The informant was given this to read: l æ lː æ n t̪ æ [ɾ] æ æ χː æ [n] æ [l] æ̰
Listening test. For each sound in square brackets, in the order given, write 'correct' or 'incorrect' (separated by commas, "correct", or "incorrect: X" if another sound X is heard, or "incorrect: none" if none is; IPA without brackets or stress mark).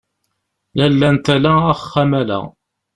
incorrect: l, incorrect: m, correct